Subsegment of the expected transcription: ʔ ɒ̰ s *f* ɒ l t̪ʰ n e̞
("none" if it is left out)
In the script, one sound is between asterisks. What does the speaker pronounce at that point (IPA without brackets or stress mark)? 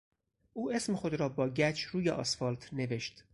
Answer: f